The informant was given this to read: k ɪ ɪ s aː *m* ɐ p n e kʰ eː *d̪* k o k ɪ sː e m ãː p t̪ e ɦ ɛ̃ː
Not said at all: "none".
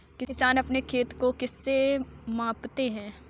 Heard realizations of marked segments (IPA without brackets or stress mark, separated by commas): n, t̪